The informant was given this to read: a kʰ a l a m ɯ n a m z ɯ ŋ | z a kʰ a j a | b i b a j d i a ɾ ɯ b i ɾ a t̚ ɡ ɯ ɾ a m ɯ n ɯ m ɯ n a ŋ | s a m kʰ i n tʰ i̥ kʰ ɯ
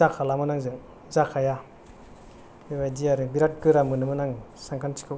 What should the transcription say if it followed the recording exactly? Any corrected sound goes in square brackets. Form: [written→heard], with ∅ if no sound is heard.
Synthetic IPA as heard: a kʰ a l a m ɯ n a [m→ŋ] z ɯ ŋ | z a kʰ a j a | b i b a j d i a ɾ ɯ b i ɾ a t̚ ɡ ɯ ɾ a m ɯ n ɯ m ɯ n a ŋ | s a [m→ŋ] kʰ [i→a] n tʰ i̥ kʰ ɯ